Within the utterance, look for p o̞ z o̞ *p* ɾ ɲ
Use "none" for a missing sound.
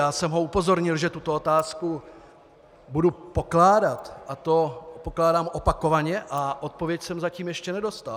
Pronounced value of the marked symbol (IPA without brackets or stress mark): none